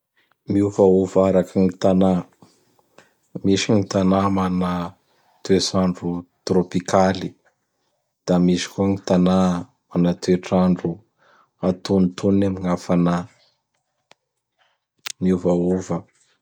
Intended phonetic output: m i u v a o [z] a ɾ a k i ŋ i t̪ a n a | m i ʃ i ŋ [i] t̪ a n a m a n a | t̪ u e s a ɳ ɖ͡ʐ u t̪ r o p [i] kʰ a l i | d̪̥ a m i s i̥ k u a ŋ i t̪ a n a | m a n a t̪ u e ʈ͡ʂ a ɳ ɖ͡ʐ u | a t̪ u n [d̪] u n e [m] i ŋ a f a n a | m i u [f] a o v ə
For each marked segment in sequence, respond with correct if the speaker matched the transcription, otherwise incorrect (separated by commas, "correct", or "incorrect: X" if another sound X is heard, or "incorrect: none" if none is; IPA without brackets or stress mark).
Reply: incorrect: v, correct, correct, incorrect: t̪, correct, incorrect: v